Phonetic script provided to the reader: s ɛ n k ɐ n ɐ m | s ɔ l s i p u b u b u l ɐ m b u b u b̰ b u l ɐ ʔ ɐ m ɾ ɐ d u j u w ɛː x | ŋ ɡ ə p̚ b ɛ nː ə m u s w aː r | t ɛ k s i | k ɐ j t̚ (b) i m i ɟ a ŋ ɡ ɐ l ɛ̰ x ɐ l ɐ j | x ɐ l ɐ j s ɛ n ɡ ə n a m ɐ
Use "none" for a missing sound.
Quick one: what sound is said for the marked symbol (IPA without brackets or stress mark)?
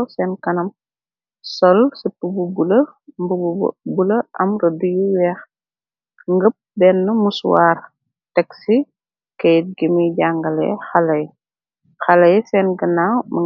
ɡ